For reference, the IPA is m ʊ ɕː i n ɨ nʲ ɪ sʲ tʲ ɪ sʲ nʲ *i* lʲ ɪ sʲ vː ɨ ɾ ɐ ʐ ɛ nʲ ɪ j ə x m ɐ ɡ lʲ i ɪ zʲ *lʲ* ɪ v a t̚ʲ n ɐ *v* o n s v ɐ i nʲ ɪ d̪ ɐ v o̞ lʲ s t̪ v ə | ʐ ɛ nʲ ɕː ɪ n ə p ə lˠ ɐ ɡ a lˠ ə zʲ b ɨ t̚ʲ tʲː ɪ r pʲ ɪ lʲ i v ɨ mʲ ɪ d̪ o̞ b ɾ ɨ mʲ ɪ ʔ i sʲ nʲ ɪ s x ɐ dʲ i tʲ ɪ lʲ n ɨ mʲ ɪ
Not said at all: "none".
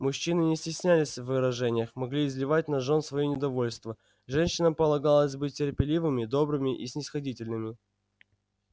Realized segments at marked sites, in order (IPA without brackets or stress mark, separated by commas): æ, lʲ, ʐ